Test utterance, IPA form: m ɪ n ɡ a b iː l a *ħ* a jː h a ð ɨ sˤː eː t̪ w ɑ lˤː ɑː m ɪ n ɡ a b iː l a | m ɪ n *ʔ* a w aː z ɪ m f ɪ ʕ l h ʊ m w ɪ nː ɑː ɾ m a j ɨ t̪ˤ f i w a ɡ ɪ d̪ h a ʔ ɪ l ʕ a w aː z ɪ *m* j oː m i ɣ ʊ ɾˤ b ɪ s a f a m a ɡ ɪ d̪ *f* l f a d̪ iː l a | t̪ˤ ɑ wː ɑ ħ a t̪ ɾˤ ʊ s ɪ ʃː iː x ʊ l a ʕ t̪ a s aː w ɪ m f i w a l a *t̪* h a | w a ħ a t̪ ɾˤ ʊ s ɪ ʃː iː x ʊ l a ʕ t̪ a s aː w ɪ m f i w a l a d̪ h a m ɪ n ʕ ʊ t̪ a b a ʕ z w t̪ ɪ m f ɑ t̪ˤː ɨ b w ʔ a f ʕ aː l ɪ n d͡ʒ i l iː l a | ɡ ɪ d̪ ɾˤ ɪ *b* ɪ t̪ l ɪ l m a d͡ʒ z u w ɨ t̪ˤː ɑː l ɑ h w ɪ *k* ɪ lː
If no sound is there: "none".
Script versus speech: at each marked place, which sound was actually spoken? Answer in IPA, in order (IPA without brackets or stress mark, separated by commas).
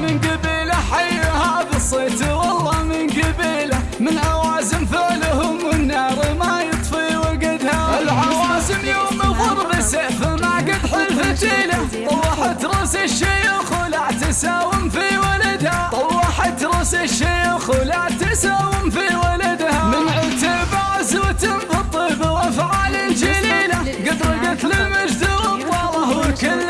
ħ, ʔ, m, ħ, d̪, ɡ, k